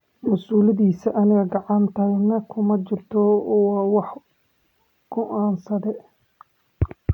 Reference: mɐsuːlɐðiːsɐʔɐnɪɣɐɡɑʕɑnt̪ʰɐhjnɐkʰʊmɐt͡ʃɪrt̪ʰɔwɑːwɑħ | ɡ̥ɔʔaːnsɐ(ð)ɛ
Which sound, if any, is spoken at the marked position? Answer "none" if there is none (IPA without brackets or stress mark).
ð